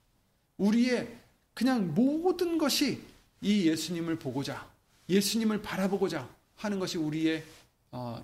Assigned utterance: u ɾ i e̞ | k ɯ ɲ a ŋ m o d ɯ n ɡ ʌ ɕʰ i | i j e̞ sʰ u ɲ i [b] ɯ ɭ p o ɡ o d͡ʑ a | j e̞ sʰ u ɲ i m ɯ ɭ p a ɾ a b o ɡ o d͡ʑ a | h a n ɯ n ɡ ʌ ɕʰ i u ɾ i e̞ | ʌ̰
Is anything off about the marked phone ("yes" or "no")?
yes